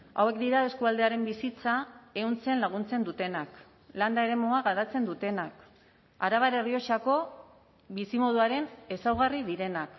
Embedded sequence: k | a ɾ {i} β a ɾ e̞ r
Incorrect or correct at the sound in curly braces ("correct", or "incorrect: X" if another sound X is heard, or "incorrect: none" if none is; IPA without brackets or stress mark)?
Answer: incorrect: a